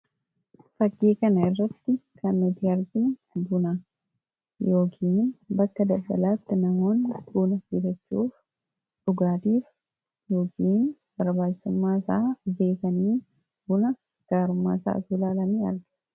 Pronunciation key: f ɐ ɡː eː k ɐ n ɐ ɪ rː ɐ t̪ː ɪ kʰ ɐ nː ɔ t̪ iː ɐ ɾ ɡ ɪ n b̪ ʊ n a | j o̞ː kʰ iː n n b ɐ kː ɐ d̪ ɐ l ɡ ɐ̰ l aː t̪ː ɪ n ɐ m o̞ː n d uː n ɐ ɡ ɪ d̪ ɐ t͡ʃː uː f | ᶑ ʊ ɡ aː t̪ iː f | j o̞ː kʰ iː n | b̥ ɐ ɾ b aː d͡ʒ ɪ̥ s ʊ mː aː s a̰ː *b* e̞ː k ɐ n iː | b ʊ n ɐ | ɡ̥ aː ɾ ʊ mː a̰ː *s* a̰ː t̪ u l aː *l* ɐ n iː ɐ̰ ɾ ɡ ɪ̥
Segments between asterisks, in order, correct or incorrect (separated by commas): correct, correct, correct